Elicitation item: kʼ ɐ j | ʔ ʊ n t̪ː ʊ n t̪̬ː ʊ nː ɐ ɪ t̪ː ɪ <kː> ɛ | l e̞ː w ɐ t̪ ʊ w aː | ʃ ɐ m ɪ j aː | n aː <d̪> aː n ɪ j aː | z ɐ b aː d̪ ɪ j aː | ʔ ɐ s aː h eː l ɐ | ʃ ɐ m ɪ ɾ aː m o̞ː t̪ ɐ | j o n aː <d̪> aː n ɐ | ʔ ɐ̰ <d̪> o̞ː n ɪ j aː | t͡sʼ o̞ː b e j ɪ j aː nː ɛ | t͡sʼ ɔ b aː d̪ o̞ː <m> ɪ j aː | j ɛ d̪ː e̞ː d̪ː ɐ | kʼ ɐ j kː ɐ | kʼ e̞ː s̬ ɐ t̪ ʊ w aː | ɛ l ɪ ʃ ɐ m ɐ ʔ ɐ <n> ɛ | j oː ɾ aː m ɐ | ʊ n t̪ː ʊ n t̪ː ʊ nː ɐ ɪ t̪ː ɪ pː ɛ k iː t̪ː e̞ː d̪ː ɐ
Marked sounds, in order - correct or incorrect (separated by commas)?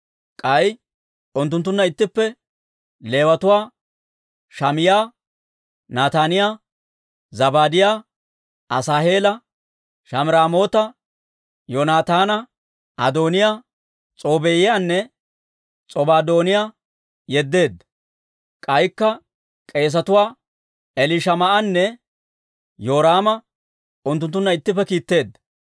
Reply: incorrect, incorrect, incorrect, correct, incorrect, incorrect